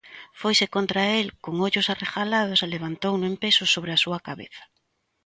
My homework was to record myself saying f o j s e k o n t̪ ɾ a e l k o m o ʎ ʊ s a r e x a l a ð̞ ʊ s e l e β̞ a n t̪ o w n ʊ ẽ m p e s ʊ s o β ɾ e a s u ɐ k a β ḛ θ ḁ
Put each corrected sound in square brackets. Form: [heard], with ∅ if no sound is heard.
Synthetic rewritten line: f o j s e k o n t̪ ɾ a e l k o [ŋ] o ʎ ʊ s a r e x a l a ð̞ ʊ s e l e β̞ a n t̪ o w n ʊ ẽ m p e s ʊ s o β ɾ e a s u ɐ k a β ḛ θ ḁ